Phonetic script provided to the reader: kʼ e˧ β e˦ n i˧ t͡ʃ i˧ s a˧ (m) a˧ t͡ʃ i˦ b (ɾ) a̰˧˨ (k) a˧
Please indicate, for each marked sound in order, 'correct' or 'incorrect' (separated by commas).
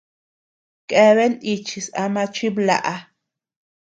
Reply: correct, incorrect, incorrect